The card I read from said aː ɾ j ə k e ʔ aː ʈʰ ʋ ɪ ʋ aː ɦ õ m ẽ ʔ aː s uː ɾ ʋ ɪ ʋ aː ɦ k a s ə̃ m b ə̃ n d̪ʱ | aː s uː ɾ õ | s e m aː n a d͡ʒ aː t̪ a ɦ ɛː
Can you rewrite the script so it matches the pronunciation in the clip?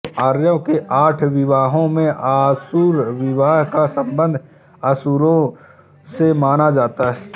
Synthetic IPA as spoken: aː ɾ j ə k e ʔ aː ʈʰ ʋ ɪ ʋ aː ɦ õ m ẽ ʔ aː s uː ɾ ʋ ɪ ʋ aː ɦ k a s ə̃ m b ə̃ n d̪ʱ | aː s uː ɾ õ | s e m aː n a d͡ʒ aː t̪ a ɦ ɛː